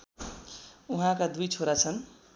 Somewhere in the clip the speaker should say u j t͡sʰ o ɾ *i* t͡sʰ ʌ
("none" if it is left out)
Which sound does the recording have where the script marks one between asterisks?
a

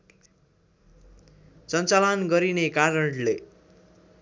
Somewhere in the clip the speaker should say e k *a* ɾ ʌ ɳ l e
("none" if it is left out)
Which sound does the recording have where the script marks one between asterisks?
a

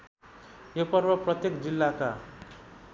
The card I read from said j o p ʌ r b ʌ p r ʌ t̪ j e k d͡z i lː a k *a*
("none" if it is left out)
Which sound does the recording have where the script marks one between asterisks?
a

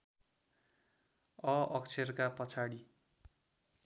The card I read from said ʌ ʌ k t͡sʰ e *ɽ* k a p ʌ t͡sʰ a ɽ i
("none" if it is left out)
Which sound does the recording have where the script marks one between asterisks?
r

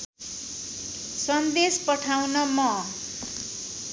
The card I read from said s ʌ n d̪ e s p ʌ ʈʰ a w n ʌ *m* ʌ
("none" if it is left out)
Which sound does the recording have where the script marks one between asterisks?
m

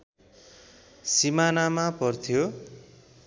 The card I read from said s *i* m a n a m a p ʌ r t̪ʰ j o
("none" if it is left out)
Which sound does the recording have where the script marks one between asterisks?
i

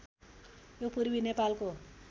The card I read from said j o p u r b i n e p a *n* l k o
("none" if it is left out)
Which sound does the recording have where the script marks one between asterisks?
none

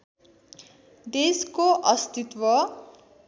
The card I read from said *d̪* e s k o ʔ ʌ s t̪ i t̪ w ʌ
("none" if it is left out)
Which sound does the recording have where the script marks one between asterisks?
d̪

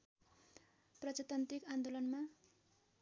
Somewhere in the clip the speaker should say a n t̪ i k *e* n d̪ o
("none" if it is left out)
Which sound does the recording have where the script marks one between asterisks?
a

